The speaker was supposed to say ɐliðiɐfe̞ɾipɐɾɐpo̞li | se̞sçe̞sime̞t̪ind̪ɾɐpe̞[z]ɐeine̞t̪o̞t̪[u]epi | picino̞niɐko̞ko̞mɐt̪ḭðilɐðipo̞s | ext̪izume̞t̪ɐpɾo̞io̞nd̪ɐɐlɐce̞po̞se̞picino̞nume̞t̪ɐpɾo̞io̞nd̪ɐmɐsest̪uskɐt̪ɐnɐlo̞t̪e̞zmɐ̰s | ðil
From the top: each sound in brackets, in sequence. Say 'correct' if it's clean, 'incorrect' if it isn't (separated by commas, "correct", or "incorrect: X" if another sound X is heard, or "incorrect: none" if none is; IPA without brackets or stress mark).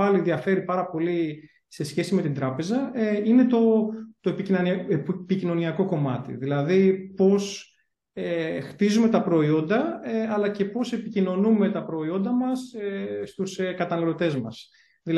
correct, incorrect: o